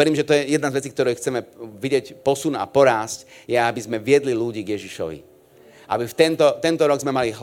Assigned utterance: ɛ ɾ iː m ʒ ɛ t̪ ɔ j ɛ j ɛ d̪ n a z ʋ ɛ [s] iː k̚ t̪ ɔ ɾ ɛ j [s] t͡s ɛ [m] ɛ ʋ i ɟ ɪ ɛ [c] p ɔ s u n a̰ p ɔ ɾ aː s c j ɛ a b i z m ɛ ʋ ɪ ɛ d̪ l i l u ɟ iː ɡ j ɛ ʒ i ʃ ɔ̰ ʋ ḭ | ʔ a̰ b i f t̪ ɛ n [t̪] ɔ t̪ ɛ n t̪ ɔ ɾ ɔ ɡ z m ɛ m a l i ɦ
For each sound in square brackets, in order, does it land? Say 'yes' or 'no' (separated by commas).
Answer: no, no, yes, yes, yes